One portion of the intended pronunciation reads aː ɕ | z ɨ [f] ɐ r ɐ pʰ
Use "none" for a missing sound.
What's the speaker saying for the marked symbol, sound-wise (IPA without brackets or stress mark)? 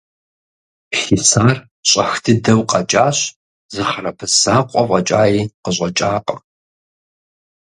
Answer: χ